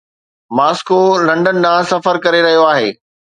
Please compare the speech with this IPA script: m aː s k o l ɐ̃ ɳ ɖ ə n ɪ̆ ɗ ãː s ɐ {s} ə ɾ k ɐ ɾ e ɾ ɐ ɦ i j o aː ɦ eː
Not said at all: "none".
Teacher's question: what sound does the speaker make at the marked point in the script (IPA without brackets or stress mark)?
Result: f